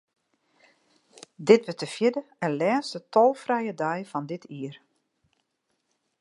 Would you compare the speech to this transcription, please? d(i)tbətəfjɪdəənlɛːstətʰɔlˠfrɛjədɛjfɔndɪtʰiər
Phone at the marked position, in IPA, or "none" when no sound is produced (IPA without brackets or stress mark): ɪ